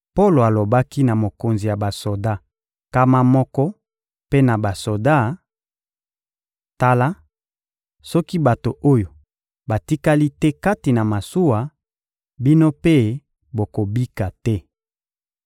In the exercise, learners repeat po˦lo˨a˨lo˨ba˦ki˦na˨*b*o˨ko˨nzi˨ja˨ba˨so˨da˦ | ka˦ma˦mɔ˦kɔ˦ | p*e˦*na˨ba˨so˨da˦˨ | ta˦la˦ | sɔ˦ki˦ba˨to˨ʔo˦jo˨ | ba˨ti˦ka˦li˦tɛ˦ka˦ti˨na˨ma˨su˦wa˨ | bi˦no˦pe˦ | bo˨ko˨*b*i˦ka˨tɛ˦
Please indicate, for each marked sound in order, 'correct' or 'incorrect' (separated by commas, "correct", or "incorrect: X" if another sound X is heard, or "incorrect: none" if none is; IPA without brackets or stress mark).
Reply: incorrect: m, correct, correct